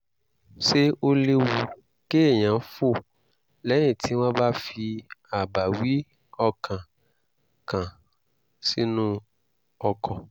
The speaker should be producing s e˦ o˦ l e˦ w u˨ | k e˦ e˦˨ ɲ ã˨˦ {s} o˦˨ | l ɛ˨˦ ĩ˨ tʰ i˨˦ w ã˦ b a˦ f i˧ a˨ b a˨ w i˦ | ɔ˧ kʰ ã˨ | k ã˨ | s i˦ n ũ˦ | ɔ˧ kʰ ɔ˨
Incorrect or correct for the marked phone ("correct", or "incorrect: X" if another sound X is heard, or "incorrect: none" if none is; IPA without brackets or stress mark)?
incorrect: f